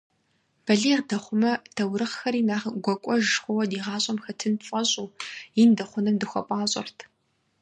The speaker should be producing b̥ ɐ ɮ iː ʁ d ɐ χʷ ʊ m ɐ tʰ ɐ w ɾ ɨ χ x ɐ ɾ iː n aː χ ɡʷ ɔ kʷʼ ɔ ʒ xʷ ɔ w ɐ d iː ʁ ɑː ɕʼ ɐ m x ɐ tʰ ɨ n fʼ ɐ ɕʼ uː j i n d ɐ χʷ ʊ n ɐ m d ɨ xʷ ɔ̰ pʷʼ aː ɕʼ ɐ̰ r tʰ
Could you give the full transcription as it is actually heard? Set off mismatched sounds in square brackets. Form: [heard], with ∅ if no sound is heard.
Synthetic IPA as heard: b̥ ɐ ɮ iː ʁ d ɐ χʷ ʊ m ɐ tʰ ɐ w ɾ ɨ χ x ɐ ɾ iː n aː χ ɡʷ ɔ kʷʼ ɔ ʒ xʷ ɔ w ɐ d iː ʁ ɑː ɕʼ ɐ m x ɐ tʰ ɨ n fʼ ɐ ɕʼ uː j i n d ɐ χʷ ʊ n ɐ m d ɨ xʷ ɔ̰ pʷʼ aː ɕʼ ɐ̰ r tʰ